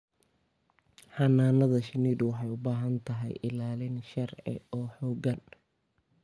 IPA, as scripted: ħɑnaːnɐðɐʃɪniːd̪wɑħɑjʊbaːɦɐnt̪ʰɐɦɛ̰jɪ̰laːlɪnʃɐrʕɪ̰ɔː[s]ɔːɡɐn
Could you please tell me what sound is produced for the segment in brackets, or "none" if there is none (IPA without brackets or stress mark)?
ħ